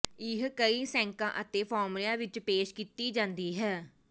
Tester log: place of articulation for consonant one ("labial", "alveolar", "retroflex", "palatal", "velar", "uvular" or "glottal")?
glottal